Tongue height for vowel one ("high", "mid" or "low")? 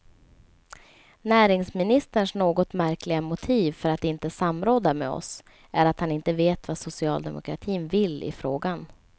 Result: low